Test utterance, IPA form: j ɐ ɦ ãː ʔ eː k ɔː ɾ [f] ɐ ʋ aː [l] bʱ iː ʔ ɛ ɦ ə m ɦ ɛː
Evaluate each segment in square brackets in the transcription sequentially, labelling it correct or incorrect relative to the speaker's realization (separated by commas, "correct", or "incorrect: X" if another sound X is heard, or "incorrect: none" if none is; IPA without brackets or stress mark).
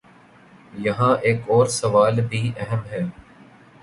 incorrect: s, correct